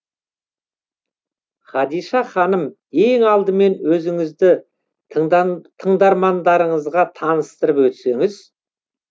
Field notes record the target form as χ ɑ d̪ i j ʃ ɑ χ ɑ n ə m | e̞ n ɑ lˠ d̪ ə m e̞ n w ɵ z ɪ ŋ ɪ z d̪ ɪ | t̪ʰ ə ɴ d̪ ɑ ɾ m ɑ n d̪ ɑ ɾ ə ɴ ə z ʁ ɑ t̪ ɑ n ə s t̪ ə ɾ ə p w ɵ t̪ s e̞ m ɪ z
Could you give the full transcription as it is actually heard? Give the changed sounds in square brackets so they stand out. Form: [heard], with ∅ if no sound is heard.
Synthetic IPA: χ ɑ d̪ i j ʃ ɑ χ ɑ n ə m | e̞ [ŋ] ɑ lˠ d̪ ə m e̞ n w ɵ z ɪ ŋ ɪ z d̪ ɪ | t̪ʰ ə ɴ d̪ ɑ ɾ m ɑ n d̪ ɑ ɾ ə ɴ ə z ʁ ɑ [t̪ʰ] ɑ n ə s t̪ ə ɾ ə p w ɵ t̪ s e̞ [ŋ] ɪ z